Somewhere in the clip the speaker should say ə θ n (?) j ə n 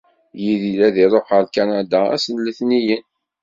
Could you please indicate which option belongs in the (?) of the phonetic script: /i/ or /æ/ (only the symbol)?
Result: i